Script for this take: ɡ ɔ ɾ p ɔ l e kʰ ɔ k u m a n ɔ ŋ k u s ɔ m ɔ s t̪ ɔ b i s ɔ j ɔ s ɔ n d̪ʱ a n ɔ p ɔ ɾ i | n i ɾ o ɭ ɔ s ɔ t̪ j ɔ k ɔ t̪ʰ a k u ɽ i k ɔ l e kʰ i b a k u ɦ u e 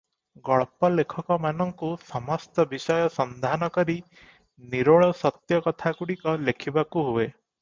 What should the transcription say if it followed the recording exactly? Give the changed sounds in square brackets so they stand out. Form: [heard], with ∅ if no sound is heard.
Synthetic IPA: ɡ ɔ [ɭ] p ɔ l e kʰ ɔ k [ɔ] m a n ɔ ŋ k u s ɔ m ɔ s t̪ ɔ b i s ɔ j ɔ s ɔ n d̪ʱ a n ɔ [k] ɔ ɾ i | n i ɾ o ɭ ɔ s ɔ t̪ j ɔ k ɔ t̪ʰ a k u ɽ i k ɔ l e kʰ i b a k u ɦ u e